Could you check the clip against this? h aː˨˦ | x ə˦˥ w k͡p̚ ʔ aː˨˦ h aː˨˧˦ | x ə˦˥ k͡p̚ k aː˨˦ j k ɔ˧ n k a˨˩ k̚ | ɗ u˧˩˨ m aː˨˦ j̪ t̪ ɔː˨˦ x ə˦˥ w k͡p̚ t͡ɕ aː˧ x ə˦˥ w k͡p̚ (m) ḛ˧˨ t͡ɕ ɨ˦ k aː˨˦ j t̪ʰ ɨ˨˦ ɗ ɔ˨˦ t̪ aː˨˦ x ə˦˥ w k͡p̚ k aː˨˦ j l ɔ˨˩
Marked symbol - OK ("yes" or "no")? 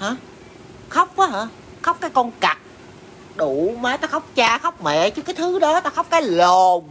yes